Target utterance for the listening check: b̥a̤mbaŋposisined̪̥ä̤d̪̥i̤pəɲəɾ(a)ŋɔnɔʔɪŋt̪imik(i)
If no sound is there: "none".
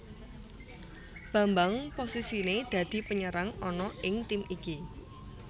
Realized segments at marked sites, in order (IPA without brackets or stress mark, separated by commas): a, i